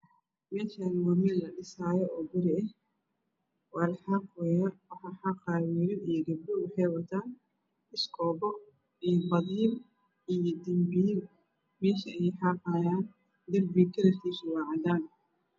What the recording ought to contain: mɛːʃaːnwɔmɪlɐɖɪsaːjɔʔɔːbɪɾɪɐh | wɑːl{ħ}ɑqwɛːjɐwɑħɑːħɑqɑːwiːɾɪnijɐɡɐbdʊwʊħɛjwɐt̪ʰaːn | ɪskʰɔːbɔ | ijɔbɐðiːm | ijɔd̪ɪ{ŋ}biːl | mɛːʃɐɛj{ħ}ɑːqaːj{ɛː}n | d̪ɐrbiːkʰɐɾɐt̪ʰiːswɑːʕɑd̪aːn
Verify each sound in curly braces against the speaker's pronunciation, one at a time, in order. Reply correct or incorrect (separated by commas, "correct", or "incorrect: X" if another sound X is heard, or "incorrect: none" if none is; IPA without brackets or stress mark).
correct, incorrect: m, correct, incorrect: aː